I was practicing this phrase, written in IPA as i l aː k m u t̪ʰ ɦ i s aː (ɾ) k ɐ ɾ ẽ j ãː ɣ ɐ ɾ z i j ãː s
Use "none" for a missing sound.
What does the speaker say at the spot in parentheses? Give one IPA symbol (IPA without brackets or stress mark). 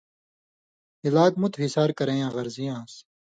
ɾ